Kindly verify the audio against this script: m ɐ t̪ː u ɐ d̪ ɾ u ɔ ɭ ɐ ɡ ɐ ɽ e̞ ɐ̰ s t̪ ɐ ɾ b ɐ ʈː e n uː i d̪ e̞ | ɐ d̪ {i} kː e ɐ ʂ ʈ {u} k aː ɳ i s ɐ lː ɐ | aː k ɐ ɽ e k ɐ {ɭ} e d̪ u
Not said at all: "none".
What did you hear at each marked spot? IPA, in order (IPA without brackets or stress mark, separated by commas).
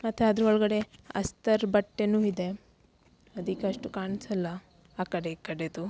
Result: i, u, ɽ